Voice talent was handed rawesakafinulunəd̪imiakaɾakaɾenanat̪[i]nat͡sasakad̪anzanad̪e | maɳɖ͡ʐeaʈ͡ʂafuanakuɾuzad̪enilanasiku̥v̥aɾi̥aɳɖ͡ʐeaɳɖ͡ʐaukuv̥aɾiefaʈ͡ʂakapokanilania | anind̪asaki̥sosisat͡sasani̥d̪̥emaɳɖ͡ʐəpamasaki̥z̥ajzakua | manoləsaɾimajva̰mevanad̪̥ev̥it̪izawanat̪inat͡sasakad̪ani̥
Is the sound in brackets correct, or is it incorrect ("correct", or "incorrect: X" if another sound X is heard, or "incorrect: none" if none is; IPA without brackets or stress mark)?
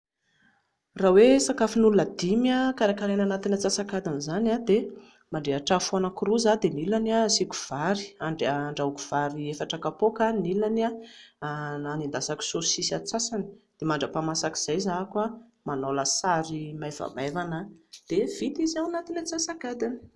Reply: correct